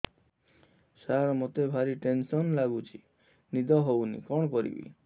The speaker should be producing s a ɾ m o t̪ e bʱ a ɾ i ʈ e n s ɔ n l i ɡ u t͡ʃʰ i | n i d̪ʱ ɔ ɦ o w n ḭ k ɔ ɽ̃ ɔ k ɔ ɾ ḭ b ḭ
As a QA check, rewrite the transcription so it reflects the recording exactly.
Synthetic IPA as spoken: s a ɾ m o t̪ e bʱ a ɾ i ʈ e n s ɔ n l a ɡ u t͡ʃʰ i | n i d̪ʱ ɔ ɦ o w n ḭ k ɔ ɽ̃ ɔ k ɔ ɾ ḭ b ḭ